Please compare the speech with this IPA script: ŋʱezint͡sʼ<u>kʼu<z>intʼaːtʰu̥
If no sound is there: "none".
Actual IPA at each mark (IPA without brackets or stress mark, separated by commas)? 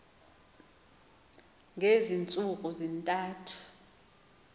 u, z